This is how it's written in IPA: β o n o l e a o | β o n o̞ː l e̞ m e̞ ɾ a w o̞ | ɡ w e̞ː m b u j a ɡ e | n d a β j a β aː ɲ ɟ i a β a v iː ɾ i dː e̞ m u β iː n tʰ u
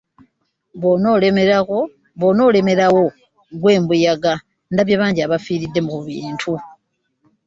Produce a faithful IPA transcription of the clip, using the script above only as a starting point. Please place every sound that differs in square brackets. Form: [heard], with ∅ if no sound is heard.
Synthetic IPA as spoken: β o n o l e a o | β o n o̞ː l e̞ m e̞ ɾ a w o̞ | ɡ w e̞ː m b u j a ɡ [a] | n d a β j a β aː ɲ ɟ i a β a [f] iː ɾ i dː e̞ m u β iː n tʰ u